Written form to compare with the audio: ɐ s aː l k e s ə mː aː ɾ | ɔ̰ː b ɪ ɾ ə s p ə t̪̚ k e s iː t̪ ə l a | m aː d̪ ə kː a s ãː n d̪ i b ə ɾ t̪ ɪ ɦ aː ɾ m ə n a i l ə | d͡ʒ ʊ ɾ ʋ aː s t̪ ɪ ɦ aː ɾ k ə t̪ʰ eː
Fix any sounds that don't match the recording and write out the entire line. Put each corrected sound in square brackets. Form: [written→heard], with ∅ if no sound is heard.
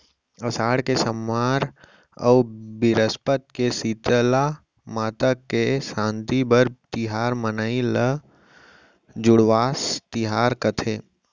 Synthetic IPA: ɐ s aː [l→ɽ] k e s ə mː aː ɾ | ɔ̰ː b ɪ ɾ ə s p ə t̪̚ k e s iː t̪ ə l a | m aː [d̪→t̪] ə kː [a→e] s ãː n [d̪→t̪] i b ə ɾ t̪ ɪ ɦ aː ɾ m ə n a i l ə | d͡ʒ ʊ [ɾ→ɽ] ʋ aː s t̪ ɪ ɦ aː ɾ k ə t̪ʰ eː